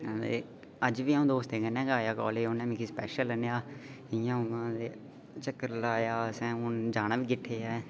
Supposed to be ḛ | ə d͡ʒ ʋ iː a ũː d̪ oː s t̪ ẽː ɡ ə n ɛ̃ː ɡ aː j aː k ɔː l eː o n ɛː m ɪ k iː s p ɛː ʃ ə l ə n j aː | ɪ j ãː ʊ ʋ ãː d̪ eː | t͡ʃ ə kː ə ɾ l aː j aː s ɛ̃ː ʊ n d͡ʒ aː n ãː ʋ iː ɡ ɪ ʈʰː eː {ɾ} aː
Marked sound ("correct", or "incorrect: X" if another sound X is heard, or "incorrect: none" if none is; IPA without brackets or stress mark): incorrect: none